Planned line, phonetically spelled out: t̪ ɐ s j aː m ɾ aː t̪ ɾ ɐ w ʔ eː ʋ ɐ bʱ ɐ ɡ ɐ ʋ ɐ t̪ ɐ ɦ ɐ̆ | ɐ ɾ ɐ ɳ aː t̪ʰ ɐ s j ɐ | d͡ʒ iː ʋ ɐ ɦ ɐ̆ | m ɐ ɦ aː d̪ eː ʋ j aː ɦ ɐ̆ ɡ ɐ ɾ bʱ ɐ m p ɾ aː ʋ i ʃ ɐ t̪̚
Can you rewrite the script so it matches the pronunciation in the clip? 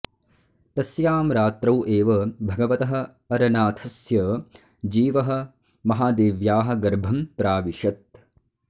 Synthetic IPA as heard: t̪ ɐ s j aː m ɾ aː t̪ ɾ ɐ w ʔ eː ʋ ɐ bʱ ɐ ɡ ɐ ʋ ɐ t̪ ɐ ɦ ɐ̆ | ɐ ɾ ɐ n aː t̪ʰ ɐ s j ɐ | d͡ʒ iː ʋ ɐ ɦ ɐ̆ | m ɐ ɦ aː d̪ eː ʋ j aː ɦ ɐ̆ ɡ ɐ ɾ bʱ ɐ m p ɾ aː ʋ i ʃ ɐ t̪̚